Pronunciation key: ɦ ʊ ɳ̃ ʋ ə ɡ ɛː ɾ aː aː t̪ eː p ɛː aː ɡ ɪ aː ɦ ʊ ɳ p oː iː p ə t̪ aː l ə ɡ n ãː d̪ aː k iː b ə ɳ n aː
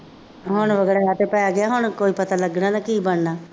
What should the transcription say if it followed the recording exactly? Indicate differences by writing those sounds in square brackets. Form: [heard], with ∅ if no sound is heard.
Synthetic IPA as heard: ɦ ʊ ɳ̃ ʋ ə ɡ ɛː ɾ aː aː t̪ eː p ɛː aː ɡ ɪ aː ɦ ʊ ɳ [k] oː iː p ə t̪ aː l ə ɡ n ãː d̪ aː k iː b ə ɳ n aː